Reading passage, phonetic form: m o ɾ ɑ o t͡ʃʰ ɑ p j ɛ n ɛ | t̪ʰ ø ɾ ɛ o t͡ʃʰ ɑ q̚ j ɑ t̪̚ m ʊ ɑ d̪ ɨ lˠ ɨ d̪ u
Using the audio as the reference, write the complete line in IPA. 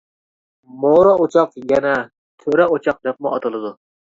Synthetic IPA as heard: m o ɾ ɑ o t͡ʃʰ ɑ q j ɛ n ɛ | t̪ʰ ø ɾ ɛ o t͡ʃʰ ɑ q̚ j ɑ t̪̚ m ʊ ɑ t̪ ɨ lˠ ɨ d̪ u